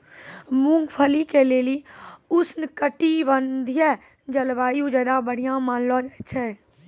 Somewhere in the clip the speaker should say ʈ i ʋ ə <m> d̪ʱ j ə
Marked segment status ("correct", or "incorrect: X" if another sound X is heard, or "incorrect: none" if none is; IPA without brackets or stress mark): incorrect: n